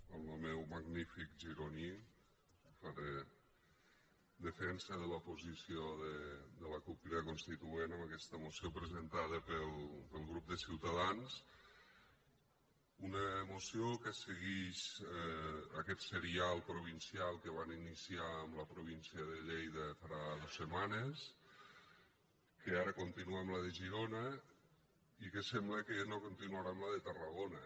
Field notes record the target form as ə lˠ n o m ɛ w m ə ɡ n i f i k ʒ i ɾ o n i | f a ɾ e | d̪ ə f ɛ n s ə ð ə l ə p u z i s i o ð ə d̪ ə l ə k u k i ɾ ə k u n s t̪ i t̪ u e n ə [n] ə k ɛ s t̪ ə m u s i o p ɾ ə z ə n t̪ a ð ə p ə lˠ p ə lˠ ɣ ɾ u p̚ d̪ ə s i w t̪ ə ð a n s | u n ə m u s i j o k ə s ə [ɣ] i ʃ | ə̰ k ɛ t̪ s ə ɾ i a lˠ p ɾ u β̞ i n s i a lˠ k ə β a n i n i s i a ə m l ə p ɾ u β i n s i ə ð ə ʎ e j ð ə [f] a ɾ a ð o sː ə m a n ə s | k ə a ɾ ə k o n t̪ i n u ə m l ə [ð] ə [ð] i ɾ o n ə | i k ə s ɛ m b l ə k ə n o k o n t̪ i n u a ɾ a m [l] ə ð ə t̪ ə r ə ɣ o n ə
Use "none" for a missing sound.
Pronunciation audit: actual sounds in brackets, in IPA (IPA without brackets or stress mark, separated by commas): m, ɣ, f, ð, ʒ, l